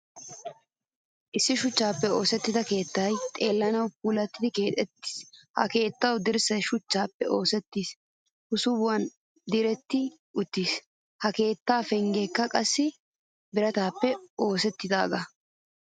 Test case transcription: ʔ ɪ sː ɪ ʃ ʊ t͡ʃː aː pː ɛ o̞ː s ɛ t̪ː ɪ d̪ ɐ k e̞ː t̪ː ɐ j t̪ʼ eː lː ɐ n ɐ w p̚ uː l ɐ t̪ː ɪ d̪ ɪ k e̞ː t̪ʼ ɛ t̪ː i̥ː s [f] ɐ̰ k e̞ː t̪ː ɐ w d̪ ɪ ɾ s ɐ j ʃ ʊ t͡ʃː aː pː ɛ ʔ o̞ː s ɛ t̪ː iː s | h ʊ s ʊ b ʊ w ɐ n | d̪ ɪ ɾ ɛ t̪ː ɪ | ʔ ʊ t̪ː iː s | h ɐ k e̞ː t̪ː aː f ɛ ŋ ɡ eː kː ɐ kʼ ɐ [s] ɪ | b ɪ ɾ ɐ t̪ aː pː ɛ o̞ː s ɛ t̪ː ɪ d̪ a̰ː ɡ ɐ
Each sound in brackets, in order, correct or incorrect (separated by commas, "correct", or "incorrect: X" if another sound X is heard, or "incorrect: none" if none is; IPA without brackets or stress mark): incorrect: h, incorrect: sː